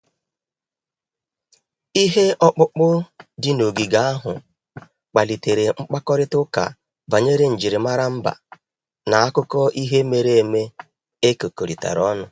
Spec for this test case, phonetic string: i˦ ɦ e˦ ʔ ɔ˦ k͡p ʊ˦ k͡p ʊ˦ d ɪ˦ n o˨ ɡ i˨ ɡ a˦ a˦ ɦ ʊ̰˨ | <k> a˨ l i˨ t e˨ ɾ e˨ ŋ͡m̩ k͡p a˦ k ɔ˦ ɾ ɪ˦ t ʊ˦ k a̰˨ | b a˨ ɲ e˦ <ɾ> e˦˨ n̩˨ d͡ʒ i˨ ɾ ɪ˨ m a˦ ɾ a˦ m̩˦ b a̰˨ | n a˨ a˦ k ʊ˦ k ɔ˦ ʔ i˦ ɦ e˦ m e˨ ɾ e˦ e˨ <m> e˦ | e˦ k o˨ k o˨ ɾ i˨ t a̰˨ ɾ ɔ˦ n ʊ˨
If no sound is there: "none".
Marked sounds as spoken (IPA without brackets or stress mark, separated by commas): k͡p, ɾ, m